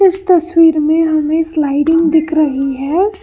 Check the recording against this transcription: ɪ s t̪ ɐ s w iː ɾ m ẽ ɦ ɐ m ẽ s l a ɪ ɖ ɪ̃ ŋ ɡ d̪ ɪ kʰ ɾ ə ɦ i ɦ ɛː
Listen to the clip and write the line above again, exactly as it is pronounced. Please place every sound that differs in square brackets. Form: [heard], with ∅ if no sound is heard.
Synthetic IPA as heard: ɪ s t̪ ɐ s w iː ɾ m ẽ ɦ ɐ m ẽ s l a ɪ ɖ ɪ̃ ŋ ɡ d̪ ɪ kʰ ɾ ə ɦ i ɦ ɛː